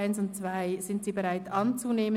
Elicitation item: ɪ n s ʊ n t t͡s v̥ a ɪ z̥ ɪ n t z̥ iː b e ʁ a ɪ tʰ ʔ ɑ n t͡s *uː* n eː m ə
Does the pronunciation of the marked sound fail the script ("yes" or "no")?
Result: yes